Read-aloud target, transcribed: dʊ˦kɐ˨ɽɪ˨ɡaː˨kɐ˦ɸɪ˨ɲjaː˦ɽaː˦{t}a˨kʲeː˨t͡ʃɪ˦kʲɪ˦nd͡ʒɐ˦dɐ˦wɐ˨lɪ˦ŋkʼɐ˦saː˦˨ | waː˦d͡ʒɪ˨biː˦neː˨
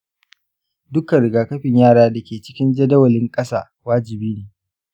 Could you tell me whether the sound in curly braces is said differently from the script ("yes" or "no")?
yes